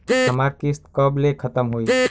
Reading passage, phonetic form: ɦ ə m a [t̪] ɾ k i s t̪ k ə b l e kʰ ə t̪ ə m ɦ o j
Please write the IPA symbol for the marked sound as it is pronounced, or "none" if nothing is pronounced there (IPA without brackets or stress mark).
none